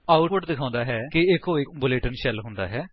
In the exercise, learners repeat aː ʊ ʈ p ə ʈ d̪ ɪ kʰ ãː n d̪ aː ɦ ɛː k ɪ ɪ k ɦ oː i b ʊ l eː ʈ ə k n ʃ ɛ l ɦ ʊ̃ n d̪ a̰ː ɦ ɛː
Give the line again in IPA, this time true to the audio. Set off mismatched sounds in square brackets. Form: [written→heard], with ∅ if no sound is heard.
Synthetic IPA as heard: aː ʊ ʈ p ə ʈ d̪ ɪ kʰ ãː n d̪ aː ɦ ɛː k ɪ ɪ k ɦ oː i b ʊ l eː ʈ ə [k→∅] n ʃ ɛ l ɦ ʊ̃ n d̪ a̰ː ɦ ɛː

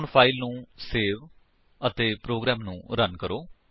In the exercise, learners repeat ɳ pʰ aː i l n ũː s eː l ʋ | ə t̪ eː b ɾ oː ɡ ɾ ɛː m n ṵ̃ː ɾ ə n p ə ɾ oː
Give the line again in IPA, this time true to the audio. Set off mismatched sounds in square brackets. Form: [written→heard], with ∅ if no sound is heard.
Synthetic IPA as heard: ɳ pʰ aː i l n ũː s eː [l→∅] ʋ | ə t̪ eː [b→p] ɾ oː ɡ ɾ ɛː m n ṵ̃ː ɾ ə n [p→k] ə ɾ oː

